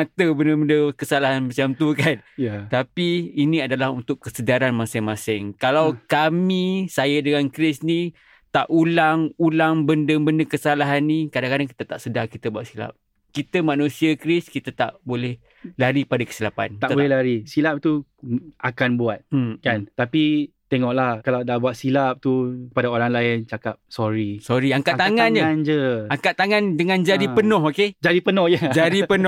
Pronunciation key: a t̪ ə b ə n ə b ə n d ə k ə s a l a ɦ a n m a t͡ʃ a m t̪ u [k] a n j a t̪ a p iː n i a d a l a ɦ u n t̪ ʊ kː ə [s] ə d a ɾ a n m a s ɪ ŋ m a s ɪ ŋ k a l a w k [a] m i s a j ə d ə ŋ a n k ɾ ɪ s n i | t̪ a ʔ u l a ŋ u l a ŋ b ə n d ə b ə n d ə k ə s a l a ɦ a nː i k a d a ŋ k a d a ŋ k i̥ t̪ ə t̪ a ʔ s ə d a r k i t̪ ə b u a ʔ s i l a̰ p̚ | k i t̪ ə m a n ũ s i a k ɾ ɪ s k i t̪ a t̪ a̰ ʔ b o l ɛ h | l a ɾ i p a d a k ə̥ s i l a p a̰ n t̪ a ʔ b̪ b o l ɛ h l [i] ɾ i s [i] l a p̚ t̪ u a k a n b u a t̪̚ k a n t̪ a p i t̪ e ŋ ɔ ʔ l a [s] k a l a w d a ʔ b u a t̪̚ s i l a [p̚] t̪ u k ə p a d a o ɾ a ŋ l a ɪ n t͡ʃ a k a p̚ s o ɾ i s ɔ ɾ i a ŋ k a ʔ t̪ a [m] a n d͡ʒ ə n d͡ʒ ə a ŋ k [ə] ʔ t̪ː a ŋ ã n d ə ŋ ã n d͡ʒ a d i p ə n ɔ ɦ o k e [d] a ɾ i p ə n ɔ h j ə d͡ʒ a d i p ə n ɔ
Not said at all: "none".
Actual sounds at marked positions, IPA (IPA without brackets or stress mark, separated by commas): k, s, a, a, i, h, p̚, ŋ, a, d͡ʒ